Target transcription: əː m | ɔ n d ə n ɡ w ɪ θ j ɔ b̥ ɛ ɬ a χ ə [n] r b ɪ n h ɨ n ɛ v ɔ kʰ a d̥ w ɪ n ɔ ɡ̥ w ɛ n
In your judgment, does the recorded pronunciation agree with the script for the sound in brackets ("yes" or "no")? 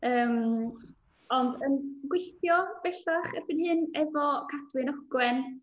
no